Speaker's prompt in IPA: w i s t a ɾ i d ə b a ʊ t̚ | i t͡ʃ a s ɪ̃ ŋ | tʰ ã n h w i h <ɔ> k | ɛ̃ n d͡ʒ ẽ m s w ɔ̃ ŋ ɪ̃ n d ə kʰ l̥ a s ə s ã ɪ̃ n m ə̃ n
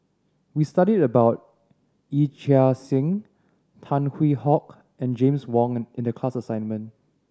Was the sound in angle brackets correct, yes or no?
yes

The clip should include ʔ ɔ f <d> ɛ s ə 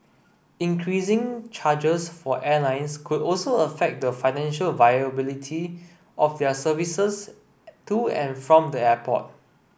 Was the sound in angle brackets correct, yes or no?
yes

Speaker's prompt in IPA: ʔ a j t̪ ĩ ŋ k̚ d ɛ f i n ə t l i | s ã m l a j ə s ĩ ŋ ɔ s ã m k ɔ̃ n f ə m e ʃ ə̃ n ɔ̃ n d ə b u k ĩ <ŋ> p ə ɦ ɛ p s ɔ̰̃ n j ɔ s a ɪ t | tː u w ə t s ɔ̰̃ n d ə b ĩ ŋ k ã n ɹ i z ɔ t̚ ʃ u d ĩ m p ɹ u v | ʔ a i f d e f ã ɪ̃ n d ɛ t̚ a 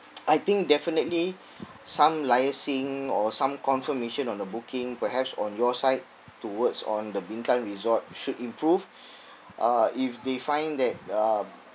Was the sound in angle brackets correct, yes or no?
yes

